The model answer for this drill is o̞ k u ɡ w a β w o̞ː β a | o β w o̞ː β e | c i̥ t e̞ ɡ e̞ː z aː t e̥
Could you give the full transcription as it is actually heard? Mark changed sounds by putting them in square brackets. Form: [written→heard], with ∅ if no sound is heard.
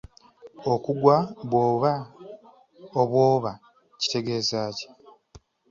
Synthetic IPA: o̞ k u ɡ w a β w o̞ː β a | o β w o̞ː β [e→a] | c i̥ t e̞ ɡ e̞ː z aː [t→c] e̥